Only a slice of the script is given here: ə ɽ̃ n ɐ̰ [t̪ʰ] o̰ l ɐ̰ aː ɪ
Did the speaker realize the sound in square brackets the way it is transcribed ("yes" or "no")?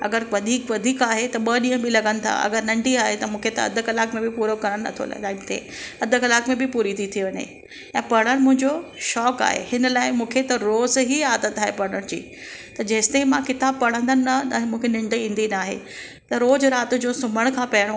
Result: yes